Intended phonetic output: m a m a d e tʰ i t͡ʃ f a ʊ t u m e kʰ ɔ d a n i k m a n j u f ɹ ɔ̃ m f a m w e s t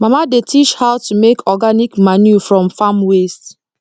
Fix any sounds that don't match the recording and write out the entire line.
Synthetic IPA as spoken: m a m a d e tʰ i t͡ʃ h a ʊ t u m e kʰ ɔ ɡ a n i k m a n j u f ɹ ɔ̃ m f a m w e s t